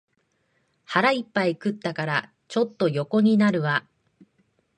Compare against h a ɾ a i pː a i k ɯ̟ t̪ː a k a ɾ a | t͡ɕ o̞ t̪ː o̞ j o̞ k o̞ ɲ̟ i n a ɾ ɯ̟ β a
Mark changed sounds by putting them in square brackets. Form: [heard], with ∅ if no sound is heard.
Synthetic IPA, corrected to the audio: h a ɾ a i pː a i k ɯ̟ t̪ː a k a ɾ a | t͡ɕ o̞ t̪ː o̞ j o̞ k o̞ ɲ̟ i n a ɾ ɯ̟ β a